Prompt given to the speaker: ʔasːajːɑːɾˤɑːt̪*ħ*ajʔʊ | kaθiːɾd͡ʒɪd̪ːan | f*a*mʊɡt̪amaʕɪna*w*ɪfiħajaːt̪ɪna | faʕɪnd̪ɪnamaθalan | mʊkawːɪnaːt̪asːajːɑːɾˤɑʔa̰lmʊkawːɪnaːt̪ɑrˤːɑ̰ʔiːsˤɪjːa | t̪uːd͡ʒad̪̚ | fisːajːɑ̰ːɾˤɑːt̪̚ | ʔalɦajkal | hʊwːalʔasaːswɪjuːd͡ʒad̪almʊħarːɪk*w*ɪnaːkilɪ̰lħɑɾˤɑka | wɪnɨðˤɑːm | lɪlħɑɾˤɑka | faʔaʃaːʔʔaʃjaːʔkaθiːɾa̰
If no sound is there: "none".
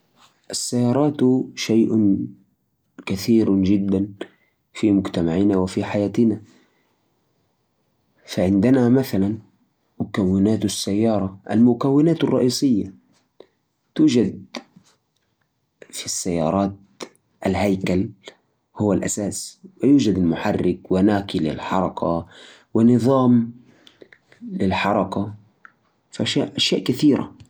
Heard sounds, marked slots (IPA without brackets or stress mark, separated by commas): ʃ, i, w, w